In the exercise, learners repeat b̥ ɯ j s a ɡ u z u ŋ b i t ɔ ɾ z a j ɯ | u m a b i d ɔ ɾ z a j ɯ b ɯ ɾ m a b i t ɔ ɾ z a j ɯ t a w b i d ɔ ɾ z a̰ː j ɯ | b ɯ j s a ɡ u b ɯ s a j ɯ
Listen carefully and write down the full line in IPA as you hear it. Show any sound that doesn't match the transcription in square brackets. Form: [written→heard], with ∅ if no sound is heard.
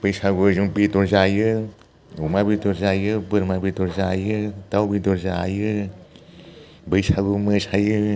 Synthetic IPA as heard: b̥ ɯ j s a ɡ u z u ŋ b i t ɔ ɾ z a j ɯ | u m a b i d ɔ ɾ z a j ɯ b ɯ ɾ m a b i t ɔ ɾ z a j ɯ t a w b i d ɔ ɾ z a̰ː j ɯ | b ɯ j s a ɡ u [b→m] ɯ s a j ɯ